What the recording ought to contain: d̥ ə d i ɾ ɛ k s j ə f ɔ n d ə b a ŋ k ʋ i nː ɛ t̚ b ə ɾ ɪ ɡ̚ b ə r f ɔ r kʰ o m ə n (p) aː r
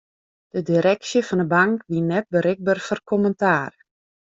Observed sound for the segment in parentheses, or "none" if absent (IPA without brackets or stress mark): t